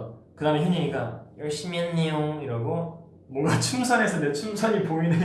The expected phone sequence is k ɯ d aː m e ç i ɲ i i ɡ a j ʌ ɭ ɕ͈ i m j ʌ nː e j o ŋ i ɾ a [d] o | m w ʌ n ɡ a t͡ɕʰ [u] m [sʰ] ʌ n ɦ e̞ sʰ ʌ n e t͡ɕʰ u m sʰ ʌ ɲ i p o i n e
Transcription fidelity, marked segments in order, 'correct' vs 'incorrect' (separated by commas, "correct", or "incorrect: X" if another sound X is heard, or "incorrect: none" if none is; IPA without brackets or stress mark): incorrect: ɡ, correct, correct